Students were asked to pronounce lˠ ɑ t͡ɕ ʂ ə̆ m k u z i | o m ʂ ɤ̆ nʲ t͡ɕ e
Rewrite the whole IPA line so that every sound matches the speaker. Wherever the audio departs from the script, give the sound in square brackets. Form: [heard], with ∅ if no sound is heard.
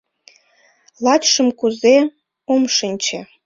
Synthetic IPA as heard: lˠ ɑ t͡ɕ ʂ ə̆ m k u z [e] | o m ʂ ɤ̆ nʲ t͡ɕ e